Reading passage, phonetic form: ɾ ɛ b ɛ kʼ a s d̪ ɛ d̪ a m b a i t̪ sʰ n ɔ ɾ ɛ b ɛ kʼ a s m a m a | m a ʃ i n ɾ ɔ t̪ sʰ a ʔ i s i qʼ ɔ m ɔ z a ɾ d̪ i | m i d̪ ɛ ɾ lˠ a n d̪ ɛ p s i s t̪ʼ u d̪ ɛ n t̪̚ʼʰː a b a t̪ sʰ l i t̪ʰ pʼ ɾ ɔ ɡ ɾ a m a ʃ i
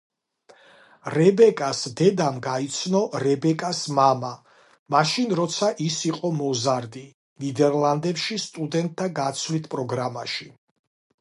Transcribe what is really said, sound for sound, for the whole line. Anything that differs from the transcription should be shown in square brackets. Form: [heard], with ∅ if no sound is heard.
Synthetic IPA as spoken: ɾ ɛ b ɛ kʼ a s d̪ ɛ d̪ a m [ɡ] a i t̪ sʰ n ɔ ɾ ɛ b ɛ kʼ a s m a m a | m a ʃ i n ɾ ɔ t̪ sʰ a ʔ i s i qʼ ɔ m ɔ z a ɾ d̪ i | [n] i d̪ ɛ ɾ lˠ a n d̪ ɛ p [ʃ] i s t̪ʼ u d̪ ɛ n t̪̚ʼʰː a [ɡ] a t̪ sʰ l i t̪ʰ pʼ ɾ ɔ ɡ ɾ a m a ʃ i